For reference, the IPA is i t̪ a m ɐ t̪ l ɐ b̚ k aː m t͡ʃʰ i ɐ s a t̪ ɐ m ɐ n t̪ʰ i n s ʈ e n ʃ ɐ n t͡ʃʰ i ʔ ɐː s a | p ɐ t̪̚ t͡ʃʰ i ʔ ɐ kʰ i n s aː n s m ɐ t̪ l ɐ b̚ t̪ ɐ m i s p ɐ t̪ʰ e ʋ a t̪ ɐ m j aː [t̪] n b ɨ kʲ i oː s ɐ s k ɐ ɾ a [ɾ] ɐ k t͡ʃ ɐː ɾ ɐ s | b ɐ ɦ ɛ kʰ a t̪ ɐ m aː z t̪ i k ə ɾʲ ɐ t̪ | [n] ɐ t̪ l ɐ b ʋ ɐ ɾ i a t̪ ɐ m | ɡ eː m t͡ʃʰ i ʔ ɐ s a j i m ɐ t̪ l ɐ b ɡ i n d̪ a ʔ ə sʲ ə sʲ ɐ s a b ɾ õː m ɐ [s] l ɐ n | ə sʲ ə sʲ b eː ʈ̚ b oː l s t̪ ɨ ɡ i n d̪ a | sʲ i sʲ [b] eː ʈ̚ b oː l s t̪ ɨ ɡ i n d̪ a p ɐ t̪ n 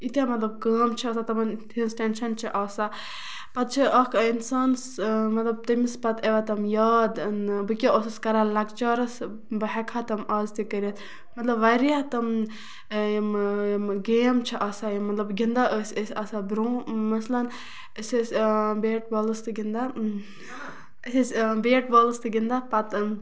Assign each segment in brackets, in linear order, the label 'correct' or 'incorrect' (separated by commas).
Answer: incorrect, incorrect, incorrect, correct, correct